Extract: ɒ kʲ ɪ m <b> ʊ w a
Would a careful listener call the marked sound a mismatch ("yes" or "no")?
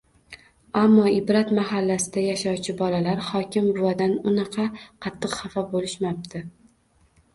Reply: no